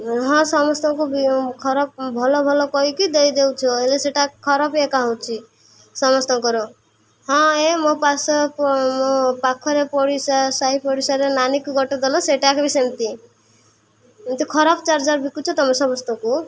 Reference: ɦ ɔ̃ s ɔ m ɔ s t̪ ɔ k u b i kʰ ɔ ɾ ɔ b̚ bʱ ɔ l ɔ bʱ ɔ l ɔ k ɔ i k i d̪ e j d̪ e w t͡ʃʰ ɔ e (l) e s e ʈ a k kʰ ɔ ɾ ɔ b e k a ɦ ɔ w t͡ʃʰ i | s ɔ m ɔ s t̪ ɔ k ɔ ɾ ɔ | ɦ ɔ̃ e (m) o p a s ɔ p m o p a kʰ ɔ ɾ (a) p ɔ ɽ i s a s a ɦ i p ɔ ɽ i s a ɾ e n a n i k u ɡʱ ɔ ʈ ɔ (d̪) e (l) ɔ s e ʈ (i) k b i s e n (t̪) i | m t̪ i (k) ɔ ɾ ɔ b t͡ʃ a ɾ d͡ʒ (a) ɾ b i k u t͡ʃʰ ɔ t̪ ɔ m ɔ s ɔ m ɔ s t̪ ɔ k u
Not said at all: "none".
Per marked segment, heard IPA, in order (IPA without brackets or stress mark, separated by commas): l, m, e, d̪, l, a, t̪, kʰ, a